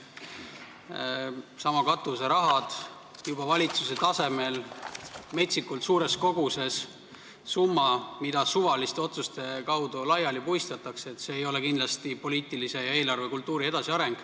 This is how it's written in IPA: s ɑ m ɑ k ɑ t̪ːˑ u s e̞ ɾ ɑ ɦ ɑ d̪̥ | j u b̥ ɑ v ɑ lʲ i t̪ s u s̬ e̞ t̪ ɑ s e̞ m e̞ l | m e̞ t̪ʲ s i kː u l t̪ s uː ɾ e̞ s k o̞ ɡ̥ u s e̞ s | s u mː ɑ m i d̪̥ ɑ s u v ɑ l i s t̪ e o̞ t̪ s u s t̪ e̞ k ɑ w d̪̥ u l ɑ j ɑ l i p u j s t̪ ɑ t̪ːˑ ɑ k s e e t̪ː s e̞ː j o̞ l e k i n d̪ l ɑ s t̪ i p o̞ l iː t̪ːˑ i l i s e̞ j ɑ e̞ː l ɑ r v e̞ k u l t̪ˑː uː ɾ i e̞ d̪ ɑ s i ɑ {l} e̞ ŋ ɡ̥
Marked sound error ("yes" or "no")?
yes